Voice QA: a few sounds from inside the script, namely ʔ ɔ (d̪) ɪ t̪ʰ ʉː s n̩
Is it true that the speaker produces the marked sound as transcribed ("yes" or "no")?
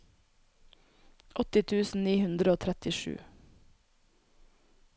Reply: no